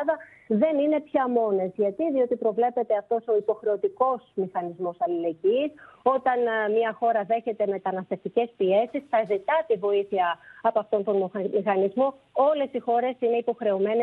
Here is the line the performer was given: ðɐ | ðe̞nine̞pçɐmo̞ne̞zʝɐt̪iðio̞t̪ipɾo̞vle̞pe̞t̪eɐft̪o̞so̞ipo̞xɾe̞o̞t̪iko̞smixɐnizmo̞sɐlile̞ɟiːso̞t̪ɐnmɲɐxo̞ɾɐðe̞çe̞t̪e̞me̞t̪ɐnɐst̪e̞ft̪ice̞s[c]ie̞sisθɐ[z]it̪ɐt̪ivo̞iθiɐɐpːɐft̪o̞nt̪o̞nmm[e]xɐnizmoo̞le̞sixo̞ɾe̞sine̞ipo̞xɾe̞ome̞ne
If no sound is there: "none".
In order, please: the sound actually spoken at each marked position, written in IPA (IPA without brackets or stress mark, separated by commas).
p, z, i